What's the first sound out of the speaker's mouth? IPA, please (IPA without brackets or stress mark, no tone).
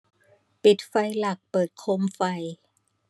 p